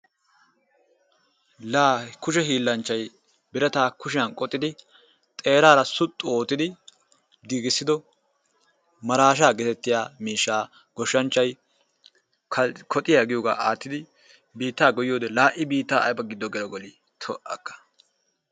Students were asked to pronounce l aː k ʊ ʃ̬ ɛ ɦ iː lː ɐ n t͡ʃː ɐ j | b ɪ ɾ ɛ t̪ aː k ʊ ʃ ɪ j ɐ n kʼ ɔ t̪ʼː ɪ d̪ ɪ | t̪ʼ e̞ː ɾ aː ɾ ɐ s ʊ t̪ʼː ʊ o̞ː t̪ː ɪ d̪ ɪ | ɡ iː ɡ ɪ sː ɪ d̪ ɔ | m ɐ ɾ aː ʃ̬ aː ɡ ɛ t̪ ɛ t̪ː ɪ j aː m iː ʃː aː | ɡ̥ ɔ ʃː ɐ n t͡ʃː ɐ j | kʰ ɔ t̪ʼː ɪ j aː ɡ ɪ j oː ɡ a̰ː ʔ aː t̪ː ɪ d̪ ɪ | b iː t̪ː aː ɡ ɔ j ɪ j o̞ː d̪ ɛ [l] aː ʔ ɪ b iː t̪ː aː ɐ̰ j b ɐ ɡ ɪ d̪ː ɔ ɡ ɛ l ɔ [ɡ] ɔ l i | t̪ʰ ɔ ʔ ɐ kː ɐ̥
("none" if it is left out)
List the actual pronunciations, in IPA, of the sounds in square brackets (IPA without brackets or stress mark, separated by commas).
l, ɡ